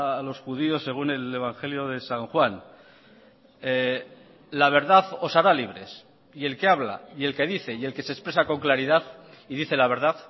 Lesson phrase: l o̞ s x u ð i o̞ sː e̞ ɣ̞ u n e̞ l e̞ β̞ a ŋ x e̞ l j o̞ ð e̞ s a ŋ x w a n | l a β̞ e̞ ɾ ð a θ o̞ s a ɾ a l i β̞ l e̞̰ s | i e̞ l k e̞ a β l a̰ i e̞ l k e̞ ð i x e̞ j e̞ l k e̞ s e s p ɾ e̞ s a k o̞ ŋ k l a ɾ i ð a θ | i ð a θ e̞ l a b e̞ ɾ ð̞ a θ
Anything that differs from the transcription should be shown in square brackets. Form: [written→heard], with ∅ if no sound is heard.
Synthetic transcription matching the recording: l o̞ s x u ð i o̞ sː e̞ ɣ̞ u n e̞ l e̞ β̞ a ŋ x e̞ l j o̞ ð e̞ s a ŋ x w a n | l a β̞ e̞ ɾ ð a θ o̞ s a ɾ a l i β̞ [l→ɾ] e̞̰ s | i e̞ l k e̞ a β l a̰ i e̞ l k e̞ ð i [x→θ] e̞ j e̞ l k e̞ s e s p ɾ e̞ s a k o̞ ŋ k l a ɾ i ð a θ | i ð [a→i] θ e̞ l a [b→β] e̞ ɾ ð̞ a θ